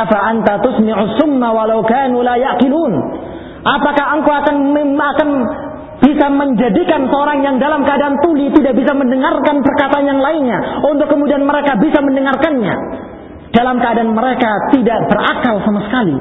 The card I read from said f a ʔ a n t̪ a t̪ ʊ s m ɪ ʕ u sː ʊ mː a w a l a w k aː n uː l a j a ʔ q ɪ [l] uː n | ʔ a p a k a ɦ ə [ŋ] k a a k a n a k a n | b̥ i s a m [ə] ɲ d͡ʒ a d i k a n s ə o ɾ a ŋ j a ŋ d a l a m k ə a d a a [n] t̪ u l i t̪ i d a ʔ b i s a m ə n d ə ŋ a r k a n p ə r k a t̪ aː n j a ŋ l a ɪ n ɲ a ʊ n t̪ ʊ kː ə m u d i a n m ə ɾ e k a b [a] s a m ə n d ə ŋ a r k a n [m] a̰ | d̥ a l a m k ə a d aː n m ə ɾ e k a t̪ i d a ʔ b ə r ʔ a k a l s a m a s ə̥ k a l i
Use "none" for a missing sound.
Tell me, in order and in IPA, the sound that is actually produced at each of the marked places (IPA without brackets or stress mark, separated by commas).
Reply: l, ŋ, ə, n, i, ɲ